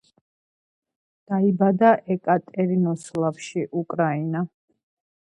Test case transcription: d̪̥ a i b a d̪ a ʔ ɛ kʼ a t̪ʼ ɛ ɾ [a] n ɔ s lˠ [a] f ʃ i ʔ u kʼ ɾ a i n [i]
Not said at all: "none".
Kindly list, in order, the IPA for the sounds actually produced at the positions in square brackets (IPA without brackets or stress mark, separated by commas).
i, a, a